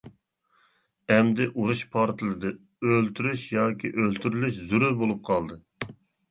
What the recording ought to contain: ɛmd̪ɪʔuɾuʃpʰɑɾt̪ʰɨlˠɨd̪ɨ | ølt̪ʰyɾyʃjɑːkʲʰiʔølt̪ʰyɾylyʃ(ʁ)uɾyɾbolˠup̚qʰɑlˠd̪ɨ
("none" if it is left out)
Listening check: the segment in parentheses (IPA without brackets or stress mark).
z